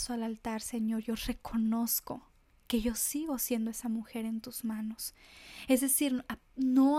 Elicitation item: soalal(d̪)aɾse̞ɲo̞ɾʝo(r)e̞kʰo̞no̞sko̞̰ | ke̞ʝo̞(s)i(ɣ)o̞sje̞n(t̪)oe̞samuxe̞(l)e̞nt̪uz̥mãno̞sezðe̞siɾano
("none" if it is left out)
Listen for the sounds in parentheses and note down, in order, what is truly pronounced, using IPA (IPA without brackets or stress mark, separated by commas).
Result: t̪, r, s, ɣ, d̪, ɾ